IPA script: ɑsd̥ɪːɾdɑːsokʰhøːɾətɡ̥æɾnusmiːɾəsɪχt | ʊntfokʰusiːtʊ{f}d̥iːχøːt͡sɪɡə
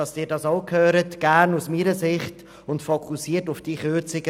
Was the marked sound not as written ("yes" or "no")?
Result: no